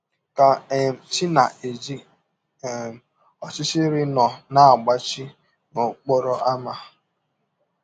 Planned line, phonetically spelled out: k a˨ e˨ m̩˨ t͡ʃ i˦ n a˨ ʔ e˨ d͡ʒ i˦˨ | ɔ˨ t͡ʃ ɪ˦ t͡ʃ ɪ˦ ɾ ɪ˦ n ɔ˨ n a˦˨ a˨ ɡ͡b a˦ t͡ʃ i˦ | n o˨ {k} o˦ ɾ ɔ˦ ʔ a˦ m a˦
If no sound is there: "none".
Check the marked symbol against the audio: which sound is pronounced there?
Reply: k͡p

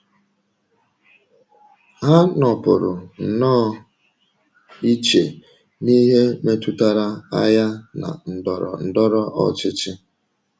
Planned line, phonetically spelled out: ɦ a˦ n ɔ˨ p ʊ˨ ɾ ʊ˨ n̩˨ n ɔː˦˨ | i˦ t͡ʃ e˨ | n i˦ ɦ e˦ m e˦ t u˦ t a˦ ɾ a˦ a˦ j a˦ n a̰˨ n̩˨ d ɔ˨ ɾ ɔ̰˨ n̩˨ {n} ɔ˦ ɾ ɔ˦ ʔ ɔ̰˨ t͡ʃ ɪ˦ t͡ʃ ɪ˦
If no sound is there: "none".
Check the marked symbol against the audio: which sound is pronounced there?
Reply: d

